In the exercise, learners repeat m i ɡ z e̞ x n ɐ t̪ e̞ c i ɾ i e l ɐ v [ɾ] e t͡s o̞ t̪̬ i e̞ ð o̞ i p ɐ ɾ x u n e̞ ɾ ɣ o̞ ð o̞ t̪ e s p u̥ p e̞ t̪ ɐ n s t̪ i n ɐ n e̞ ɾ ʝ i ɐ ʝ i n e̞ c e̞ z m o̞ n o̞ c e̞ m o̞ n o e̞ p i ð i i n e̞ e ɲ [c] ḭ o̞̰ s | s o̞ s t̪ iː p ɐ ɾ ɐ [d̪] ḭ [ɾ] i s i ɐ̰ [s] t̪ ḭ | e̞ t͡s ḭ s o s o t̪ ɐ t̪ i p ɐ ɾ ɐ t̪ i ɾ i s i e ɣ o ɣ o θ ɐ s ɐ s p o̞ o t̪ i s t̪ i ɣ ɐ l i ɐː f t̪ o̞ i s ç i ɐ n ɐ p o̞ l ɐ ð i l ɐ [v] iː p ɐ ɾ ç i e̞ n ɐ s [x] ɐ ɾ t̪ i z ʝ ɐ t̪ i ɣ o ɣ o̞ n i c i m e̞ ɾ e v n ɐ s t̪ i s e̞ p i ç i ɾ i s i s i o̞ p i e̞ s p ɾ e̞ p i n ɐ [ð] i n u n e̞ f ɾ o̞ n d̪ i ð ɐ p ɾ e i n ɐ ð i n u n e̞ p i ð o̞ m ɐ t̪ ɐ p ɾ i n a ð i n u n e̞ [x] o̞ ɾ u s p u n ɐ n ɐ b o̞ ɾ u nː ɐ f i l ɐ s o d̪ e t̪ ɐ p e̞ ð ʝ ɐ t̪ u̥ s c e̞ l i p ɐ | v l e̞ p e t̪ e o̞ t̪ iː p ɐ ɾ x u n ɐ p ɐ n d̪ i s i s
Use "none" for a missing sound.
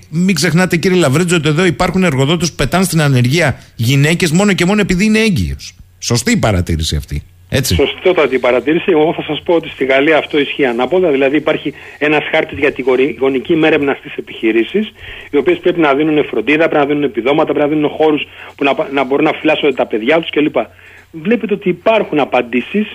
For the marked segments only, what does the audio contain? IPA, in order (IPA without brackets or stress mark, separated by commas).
ɾ, ɟ, t̪, ɾ, f, ð, x, ð, x